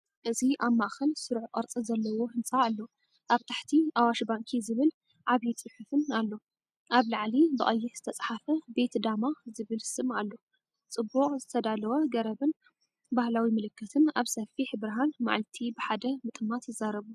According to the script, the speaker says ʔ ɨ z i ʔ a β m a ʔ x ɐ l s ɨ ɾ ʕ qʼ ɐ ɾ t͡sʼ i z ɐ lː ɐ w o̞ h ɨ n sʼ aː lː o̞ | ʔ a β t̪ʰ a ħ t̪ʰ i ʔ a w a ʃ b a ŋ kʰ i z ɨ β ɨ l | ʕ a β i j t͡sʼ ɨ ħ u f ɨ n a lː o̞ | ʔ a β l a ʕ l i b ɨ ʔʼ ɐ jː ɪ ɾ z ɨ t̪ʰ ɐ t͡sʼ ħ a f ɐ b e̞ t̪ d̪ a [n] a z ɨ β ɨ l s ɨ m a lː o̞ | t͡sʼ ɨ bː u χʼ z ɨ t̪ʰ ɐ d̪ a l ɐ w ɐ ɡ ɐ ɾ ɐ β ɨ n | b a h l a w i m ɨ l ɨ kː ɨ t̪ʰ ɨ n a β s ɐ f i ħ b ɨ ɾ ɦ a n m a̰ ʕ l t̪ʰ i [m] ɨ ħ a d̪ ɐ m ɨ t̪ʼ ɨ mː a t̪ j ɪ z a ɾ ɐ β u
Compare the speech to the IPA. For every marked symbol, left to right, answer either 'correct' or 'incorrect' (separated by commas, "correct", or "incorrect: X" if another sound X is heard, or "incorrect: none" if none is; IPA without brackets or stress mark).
incorrect: m, incorrect: b